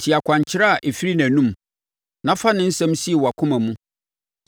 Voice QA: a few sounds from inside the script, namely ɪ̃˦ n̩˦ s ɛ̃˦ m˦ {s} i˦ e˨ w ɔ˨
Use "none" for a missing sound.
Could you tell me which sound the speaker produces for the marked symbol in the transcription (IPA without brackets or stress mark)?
s